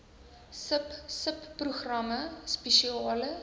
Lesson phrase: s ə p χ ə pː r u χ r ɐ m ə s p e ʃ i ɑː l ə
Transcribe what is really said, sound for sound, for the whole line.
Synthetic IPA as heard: s ə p s ə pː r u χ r ɐ m ə s p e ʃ i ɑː l ə